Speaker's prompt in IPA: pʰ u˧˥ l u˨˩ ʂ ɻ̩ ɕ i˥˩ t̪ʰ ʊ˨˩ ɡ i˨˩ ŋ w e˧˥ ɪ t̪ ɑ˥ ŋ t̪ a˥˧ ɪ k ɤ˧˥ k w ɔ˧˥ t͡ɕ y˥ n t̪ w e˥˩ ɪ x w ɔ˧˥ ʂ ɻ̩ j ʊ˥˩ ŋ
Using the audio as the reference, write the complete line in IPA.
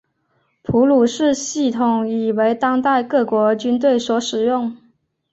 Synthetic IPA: pʰ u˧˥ l u˨˩ ʂ ɻ̩ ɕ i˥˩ t̪ʰ ʊ˨˩ ŋ i˨˩ w e˧˥ ɪ t̪ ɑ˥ ŋ t̪ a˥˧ ɪ k ɤ˥˩ k w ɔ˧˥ t͡ɕ y˥ n t̪ w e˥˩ ɪ s w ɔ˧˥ ʂ ɻ̩ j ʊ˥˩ ŋ